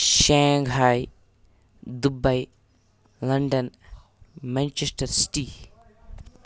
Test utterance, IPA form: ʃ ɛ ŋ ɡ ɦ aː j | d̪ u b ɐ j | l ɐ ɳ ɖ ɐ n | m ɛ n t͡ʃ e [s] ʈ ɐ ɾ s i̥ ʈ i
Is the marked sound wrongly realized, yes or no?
no